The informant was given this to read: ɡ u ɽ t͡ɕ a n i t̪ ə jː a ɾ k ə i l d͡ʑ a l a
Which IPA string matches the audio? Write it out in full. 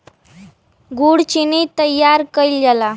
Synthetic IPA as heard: ɡ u ɽ t͡ɕ i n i t̪ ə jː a ɾ k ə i l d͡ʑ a l a